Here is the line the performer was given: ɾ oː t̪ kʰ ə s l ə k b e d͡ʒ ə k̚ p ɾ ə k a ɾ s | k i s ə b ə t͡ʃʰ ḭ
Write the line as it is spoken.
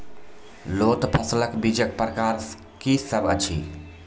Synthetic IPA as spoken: l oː t̪ pʰ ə s l ə k b i d͡ʒ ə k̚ p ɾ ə k a ɾ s | k i s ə b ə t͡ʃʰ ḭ